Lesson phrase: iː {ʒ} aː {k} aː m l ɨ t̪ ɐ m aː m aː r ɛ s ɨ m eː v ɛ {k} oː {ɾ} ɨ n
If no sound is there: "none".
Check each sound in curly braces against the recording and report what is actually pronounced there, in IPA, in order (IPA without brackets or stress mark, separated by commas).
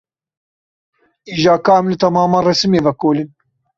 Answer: ʒ, k, k, l